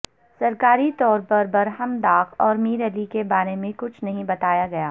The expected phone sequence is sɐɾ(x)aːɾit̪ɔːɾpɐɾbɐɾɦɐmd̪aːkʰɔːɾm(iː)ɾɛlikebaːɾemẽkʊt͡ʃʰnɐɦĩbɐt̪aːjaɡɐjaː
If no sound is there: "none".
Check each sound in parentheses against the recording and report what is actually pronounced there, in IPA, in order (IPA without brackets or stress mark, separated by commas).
k, iː